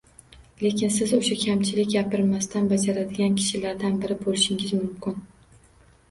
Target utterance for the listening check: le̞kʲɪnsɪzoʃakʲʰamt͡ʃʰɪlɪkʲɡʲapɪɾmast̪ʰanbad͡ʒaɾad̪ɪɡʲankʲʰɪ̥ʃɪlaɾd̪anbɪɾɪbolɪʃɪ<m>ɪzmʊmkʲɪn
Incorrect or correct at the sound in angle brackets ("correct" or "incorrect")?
incorrect